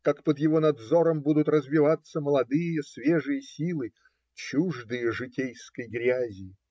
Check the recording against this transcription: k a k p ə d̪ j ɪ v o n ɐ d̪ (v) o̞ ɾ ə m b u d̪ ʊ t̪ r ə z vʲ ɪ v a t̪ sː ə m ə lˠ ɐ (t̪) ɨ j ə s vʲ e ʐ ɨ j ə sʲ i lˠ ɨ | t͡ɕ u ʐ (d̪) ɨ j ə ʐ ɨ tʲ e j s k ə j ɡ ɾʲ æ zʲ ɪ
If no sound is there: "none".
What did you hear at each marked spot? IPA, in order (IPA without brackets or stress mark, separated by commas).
z, d̪, d̪